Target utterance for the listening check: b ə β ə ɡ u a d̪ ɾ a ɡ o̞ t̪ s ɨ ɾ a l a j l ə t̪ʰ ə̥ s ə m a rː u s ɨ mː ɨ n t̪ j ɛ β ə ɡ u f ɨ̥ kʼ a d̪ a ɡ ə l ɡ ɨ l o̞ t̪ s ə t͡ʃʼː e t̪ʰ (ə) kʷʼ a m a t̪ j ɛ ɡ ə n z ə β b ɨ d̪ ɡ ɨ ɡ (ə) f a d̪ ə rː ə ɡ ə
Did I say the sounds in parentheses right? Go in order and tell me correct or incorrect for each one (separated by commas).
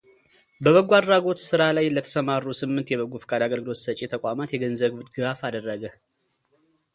correct, incorrect